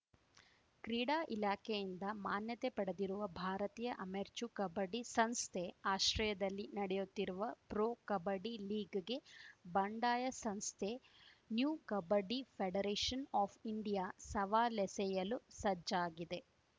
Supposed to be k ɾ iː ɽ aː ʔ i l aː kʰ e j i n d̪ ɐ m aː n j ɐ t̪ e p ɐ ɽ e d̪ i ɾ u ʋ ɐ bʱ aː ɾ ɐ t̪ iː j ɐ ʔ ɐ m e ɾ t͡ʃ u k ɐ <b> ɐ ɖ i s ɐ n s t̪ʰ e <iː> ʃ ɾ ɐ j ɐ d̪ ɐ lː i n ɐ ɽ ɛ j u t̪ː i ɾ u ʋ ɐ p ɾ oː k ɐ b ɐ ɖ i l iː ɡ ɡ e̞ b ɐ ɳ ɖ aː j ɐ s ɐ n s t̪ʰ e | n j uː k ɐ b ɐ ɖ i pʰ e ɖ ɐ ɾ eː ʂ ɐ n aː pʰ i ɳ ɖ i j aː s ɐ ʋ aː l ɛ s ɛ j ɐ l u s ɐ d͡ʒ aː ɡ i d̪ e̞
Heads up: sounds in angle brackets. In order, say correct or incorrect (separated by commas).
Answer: correct, incorrect